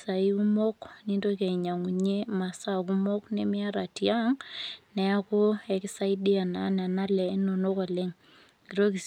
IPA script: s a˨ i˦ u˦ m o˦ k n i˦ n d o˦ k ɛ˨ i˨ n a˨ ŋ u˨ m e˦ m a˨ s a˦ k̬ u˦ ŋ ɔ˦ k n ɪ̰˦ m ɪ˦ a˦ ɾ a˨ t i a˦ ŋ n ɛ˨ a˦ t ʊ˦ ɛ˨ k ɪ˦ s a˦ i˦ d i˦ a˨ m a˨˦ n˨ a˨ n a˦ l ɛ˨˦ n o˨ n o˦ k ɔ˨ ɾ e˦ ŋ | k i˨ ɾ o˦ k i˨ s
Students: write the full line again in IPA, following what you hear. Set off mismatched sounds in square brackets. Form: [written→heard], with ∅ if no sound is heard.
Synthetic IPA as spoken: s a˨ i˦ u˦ m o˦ k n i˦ n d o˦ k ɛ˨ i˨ [n→ɲ] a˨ ŋ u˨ [m→ɲ] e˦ m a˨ s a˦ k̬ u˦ [ŋ→m] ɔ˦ k n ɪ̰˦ m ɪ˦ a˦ ɾ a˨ t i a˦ ŋ n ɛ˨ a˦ [t→k] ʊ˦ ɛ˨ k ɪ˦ s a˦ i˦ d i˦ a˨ [m→n] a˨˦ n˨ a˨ n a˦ l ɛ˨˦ n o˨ n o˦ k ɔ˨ [ɾ→l] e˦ ŋ | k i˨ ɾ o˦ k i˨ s